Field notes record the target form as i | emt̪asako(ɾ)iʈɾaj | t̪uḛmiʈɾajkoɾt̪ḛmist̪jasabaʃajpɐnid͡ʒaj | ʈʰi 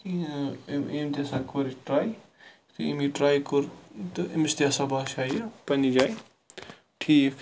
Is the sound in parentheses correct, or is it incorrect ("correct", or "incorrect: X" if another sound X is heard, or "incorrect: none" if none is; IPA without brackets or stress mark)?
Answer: correct